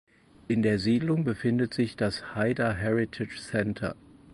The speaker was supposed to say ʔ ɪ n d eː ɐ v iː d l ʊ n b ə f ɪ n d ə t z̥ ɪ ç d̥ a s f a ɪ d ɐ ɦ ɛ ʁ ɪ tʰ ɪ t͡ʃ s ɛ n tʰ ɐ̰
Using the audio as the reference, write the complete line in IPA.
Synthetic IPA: ʔ ɪ n d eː ɐ z iː d l ʊ ŋ b ə f ɪ n d ə t z̥ ɪ ç d̥ a s h a ɪ d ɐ ɦ ɛ ʁ ɪ tʰ ɪ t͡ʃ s ɛ n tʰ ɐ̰